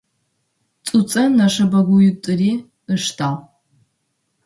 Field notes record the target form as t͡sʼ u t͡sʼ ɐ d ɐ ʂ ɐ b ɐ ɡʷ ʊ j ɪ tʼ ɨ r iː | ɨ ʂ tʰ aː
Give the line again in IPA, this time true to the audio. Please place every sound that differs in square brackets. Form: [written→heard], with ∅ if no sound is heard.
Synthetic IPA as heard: t͡sʼ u t͡sʼ ɐ [d→n] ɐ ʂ ɐ b ɐ ɡʷ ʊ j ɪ tʼ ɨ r iː | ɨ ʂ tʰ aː